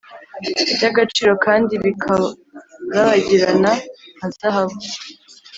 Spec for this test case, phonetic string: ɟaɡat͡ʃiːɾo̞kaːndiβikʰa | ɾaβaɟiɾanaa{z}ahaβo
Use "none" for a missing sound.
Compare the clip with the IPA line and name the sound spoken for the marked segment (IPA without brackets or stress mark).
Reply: z